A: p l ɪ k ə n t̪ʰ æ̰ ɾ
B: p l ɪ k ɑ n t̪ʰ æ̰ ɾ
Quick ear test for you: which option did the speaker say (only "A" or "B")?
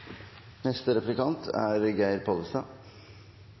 B